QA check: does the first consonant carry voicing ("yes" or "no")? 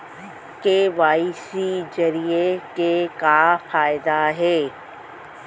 no